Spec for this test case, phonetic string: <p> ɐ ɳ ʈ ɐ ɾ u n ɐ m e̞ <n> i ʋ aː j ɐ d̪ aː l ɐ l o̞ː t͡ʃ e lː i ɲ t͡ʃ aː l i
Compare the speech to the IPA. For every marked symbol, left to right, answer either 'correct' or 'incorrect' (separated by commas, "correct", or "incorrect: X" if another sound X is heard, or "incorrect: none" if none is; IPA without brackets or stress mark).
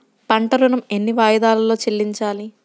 correct, incorrect: nː